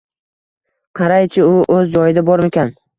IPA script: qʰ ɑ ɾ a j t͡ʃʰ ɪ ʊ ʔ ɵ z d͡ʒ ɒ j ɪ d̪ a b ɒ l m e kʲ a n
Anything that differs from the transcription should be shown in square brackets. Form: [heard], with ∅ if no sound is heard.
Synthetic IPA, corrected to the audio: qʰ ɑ ɾ a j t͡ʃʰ ɪ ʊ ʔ ɵ z d͡ʒ ɒ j ɪ d̪ a b ɒ [ɾ] m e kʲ a n